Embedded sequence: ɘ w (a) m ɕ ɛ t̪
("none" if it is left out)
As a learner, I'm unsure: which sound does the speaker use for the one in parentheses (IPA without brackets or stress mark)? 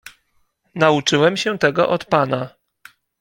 ɛ